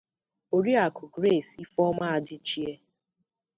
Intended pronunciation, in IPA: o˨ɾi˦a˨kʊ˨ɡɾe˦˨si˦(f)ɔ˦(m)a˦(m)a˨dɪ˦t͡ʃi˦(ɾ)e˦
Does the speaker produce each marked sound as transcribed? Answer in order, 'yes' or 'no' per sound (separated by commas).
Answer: yes, yes, no, no